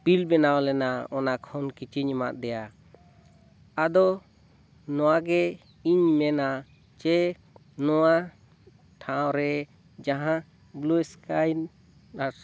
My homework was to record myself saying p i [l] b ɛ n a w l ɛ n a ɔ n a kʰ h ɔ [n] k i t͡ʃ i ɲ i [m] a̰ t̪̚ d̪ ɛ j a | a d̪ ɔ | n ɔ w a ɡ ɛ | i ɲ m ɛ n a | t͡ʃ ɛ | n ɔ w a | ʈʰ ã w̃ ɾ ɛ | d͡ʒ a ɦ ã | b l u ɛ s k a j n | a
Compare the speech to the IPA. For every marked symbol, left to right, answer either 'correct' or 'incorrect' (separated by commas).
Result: correct, correct, correct